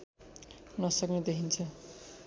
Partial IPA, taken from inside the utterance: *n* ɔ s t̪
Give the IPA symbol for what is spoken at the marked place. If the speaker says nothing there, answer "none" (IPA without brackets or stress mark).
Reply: n